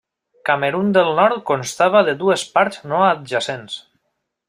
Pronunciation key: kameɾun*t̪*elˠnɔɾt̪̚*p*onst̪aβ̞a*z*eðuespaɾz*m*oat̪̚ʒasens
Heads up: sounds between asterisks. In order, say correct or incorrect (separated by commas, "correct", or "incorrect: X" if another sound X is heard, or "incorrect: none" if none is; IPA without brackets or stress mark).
incorrect: d̪, incorrect: k, incorrect: ð, incorrect: n